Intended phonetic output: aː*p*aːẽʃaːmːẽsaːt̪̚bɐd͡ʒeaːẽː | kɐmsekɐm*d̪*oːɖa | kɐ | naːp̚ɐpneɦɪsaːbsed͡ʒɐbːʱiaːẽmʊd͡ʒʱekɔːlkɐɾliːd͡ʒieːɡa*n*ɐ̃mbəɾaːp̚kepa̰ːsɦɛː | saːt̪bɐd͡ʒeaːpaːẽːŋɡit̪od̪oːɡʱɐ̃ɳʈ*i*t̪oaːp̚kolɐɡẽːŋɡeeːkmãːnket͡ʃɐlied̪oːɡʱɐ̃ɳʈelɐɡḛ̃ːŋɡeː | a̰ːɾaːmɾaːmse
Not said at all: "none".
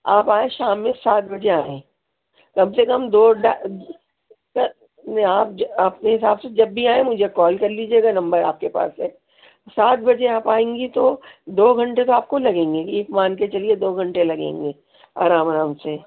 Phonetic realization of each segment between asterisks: p, d̪, n, e

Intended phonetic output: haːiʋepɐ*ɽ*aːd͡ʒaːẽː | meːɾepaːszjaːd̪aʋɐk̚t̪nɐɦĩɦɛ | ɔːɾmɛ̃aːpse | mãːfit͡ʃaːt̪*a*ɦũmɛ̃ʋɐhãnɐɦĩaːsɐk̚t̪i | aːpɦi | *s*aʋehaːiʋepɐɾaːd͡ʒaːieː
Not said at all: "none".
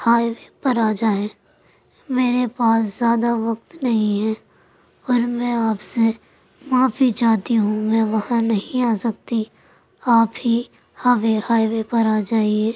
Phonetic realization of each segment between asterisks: ɾ, i, h

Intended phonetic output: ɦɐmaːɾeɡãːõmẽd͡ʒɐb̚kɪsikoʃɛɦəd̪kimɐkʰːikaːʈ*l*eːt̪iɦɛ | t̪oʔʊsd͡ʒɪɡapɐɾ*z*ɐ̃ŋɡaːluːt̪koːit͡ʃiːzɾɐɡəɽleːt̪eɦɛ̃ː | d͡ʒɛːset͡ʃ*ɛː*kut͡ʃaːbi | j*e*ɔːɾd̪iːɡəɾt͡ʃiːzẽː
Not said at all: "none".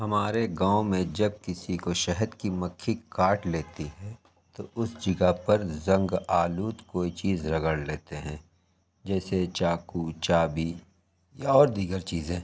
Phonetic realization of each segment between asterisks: l, z, aː, a

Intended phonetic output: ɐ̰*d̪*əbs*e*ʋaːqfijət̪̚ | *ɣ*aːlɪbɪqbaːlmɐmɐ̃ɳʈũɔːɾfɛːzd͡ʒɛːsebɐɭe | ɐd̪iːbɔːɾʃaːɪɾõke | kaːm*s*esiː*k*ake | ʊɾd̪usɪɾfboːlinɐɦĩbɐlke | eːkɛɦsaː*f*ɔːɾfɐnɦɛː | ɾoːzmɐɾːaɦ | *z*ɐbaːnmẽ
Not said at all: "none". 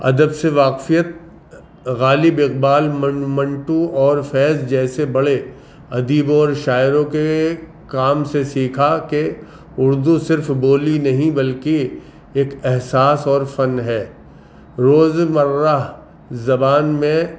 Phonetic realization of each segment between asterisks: d̪, e, ɣ, s, kʰ, s, z

